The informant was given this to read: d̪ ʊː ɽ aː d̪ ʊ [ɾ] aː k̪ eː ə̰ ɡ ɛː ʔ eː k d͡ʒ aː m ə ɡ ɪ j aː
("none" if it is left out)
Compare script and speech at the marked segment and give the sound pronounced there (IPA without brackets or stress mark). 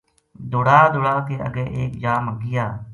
ɽ